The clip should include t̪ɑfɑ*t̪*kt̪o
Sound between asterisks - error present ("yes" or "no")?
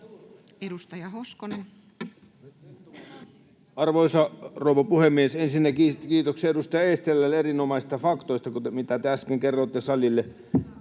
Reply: yes